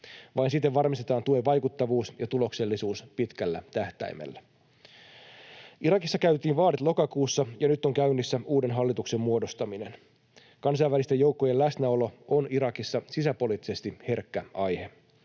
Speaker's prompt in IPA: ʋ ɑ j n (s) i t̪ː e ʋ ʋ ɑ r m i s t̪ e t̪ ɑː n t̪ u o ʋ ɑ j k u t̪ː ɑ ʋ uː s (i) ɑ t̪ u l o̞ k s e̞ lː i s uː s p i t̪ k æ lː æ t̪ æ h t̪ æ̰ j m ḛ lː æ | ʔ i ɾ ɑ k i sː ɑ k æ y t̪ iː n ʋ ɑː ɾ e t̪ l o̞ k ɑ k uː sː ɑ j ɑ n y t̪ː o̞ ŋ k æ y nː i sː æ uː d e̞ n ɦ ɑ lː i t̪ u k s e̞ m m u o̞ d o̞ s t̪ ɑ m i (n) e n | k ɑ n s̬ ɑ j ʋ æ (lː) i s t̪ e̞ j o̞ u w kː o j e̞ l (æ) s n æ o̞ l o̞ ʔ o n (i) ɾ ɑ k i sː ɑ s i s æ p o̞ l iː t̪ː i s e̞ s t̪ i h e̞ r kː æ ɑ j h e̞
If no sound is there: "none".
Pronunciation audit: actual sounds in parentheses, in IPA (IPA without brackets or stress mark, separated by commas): s, j, n, l, æ, i